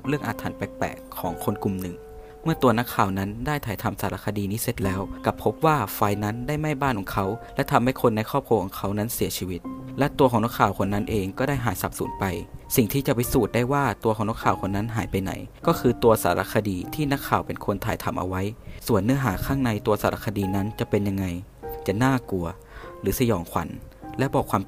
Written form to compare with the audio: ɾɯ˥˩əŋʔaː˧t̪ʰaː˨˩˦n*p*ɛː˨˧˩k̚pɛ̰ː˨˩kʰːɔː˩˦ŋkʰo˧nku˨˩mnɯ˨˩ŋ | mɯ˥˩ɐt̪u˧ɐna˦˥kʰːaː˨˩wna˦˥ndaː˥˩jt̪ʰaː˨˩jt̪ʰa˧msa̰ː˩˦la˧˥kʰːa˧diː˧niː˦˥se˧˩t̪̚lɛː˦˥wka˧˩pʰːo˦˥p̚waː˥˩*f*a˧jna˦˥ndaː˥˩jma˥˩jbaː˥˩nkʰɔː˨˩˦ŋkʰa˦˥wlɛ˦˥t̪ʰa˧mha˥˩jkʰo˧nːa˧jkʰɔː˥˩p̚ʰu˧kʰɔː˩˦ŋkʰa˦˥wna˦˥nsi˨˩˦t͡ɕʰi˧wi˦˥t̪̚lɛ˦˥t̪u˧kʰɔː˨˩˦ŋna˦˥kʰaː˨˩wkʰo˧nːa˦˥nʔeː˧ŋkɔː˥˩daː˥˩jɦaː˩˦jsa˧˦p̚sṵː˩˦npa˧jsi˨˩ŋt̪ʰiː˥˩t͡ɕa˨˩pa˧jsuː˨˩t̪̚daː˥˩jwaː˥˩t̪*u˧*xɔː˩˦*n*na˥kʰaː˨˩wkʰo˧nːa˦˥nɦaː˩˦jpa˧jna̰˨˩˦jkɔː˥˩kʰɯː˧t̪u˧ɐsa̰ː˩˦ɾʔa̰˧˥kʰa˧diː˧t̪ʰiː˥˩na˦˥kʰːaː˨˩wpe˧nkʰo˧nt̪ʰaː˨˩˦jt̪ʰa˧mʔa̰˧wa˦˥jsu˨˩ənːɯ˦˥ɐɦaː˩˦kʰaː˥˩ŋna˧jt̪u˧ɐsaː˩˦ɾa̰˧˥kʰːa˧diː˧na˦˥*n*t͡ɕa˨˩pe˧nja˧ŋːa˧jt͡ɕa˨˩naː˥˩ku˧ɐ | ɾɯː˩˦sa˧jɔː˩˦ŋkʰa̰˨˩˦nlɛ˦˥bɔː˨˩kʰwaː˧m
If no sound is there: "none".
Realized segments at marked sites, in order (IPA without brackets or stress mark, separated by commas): p, f, u˧, ŋ, n